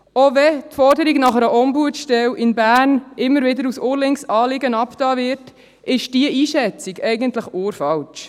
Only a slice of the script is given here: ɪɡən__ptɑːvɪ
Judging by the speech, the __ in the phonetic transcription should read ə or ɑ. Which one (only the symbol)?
ɑ